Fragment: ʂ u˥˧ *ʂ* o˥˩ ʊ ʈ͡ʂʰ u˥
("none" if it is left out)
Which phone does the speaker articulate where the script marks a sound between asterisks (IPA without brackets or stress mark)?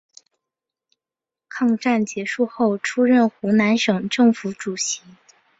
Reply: x